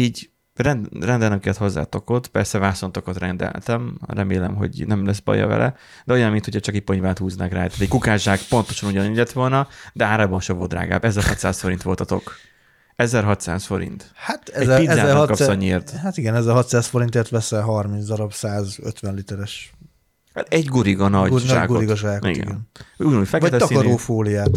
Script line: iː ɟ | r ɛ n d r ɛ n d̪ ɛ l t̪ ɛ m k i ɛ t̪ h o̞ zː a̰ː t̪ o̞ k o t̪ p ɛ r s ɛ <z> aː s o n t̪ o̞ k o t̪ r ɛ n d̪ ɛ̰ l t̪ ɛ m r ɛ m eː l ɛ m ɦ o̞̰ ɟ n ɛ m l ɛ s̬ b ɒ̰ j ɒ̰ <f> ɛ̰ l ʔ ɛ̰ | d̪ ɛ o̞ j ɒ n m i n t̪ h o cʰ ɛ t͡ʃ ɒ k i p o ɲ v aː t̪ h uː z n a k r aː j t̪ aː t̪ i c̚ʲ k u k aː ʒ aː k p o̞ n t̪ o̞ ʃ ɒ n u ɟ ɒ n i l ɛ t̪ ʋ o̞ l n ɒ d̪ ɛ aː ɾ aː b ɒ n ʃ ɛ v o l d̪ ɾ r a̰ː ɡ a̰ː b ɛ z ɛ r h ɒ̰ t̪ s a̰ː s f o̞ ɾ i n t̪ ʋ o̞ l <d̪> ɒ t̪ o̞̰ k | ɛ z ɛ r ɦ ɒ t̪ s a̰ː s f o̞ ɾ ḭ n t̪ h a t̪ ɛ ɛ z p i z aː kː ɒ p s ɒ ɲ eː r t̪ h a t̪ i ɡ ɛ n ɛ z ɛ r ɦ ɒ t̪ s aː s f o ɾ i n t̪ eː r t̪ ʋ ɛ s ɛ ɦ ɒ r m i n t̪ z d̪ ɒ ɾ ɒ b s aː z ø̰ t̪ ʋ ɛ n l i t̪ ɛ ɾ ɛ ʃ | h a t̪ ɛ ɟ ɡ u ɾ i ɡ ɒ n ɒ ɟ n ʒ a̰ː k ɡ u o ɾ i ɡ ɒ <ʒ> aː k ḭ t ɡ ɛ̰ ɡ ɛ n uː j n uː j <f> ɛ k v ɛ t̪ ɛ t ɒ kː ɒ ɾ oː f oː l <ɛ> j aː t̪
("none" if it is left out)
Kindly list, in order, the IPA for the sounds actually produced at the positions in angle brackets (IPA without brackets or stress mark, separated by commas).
v, v, t̪, ʒ, f, i